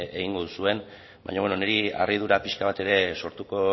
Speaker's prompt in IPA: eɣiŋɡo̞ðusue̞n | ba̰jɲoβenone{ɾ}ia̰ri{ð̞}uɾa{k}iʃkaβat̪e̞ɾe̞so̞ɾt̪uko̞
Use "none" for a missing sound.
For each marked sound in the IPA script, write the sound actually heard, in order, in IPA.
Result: ɾ, ð̞, p

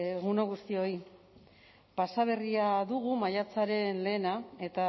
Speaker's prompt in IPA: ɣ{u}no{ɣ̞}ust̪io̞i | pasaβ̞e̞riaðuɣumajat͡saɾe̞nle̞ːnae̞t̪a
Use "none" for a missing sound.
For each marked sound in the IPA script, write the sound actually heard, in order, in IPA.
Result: u, ɣ̞

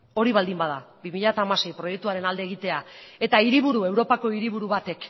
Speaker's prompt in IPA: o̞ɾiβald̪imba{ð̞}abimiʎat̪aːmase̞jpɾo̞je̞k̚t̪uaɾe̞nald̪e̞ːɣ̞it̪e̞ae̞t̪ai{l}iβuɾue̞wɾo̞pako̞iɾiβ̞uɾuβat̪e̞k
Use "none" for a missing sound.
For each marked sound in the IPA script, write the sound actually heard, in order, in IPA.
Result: ð̞, ɾ

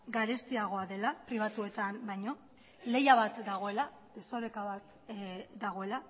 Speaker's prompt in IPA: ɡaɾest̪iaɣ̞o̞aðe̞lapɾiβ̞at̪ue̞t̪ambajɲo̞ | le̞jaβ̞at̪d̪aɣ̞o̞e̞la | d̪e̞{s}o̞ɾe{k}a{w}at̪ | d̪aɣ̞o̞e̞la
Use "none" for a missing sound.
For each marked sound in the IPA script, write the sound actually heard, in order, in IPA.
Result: s, k, β

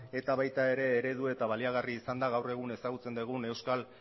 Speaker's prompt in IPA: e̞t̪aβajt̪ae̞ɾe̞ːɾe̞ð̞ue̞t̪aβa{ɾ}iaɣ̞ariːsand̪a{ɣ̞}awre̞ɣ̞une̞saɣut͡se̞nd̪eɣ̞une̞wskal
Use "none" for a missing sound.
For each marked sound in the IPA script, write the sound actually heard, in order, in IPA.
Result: l, ɣ̞

